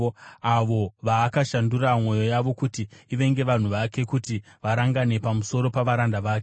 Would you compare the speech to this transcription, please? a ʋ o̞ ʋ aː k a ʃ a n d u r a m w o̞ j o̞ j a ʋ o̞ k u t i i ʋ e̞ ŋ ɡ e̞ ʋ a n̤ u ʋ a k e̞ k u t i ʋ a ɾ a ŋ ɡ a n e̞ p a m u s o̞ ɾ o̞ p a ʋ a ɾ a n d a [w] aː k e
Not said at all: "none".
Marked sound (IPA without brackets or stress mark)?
ʋ